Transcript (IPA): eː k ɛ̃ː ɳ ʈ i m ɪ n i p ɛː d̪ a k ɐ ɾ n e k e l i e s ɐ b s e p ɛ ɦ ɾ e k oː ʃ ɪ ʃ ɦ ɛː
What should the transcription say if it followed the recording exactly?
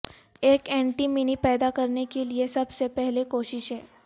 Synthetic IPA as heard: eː k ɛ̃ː ɳ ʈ i m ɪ n i p ɛː d̪ a k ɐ ɾ n e k e l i e s ɐ b s e p ɛ ɦ l e k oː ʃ ɪ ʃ ɦ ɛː